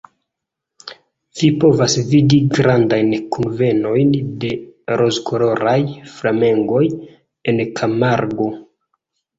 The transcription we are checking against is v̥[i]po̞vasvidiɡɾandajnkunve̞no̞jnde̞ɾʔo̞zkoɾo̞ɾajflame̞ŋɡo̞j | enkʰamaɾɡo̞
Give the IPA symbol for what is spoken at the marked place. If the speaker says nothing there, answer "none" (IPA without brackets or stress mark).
i